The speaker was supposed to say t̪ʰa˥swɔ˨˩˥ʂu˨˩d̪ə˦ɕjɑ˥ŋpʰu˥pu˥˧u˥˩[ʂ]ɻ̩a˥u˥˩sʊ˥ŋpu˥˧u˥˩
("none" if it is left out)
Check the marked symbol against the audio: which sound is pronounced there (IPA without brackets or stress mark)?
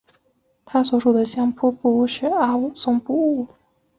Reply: ʂ